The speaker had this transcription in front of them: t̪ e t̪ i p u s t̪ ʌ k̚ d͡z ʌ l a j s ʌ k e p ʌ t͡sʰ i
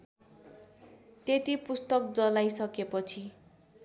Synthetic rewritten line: t̪ e t̪ i p u s t̪ ʌ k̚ d͡z ʌ l a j s ʌ k e p ʌ t͡sʰ i